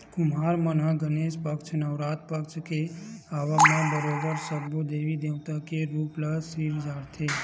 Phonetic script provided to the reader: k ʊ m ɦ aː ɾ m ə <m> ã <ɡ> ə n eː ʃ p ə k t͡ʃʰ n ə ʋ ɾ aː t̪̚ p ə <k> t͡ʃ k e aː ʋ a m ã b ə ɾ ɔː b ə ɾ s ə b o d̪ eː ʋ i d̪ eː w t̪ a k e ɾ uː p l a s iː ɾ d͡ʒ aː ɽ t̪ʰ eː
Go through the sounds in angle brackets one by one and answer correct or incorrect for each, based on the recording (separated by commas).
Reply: incorrect, correct, correct